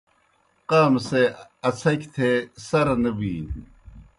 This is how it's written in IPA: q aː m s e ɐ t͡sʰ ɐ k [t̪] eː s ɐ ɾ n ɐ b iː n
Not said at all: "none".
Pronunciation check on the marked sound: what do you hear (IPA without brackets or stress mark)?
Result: t̪ʰ